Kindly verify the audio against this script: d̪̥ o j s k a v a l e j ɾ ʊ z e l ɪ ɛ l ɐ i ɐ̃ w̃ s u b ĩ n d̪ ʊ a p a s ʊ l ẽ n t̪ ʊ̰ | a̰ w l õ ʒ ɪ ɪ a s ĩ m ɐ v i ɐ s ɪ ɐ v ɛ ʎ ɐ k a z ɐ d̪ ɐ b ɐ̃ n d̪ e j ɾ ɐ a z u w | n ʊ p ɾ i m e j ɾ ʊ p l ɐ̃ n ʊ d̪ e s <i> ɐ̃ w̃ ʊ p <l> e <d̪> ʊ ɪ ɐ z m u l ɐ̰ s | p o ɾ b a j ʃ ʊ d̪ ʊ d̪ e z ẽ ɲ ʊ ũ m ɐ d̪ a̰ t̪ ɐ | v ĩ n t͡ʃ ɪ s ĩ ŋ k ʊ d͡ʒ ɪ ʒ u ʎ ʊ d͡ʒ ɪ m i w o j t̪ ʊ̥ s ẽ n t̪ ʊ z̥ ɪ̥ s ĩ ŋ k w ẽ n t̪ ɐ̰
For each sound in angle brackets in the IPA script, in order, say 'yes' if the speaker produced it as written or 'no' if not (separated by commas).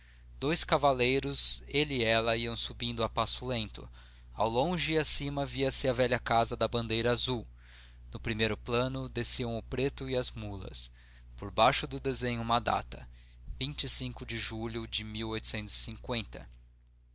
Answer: yes, no, no